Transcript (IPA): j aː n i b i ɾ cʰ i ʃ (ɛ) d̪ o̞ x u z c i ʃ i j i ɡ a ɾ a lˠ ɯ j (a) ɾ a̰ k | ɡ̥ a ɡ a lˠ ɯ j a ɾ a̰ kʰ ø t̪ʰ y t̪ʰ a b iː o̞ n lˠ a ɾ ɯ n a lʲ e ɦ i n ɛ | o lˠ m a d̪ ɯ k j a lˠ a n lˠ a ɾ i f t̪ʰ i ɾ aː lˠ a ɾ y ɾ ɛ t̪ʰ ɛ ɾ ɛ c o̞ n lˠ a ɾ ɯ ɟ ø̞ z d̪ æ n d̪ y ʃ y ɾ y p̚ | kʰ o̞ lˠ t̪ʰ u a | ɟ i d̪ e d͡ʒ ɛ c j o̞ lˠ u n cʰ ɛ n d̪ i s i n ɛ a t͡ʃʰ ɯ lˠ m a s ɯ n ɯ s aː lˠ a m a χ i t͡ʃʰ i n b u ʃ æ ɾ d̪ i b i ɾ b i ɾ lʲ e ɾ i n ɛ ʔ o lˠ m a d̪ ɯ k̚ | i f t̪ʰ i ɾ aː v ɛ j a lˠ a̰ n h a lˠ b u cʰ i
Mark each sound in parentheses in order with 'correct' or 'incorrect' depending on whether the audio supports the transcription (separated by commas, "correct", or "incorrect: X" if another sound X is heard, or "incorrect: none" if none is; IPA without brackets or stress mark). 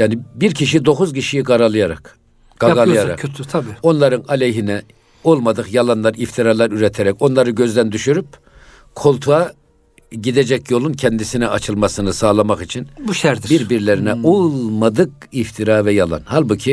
incorrect: i, correct